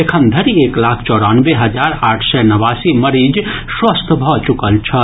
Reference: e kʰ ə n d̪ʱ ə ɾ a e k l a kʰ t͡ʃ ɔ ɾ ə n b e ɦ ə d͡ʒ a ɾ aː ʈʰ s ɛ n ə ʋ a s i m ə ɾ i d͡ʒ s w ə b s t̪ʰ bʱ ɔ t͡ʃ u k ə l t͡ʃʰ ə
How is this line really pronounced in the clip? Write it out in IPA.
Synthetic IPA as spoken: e kʰ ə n d̪ʱ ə ɾ i e k l a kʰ t͡ʃ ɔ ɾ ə n b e ɦ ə d͡ʒ a ɾ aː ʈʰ s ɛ n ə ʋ a s i m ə ɾ i d͡ʒ s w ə s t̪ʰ bʱ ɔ t͡ʃ u k ə l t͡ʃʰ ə